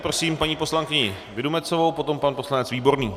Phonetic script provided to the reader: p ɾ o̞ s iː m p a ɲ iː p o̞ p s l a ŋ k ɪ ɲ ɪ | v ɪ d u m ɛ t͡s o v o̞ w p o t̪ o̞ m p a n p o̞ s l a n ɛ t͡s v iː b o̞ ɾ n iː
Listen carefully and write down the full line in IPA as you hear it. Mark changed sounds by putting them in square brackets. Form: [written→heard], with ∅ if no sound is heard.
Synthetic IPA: p ɾ o̞ s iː m p a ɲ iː p o̞ [p→∅] s l a ŋ k ɪ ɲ ɪ | v ɪ d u m ɛ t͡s o v o̞ w p o t̪ o̞ m p a n p o̞ s l a n ɛ t͡s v iː b o̞ ɾ n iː